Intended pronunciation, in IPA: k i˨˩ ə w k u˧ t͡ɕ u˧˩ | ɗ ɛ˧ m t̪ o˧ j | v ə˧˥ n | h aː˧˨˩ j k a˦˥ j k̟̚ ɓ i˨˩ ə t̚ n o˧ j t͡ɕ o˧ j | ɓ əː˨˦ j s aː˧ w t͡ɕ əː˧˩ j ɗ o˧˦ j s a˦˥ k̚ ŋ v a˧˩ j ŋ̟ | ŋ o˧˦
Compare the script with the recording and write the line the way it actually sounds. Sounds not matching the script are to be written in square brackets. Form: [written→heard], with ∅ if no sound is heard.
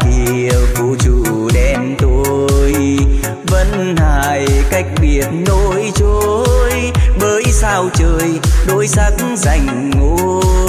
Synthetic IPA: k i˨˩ ə w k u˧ t͡ɕ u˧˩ | ɗ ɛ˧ m t̪ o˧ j | v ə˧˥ n | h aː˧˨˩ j k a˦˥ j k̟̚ ɓ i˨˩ ə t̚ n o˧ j t͡ɕ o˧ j | ɓ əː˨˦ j s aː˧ w t͡ɕ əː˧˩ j ɗ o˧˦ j s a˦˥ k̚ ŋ [v→z] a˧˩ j ŋ̟ | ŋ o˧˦